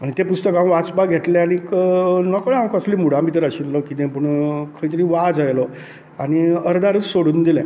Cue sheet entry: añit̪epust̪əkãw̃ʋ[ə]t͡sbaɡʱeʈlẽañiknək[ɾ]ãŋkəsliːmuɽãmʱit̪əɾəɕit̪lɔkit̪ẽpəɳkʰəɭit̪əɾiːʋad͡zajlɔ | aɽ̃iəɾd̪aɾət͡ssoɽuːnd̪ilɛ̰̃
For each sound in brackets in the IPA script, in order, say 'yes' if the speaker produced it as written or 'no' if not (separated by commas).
no, no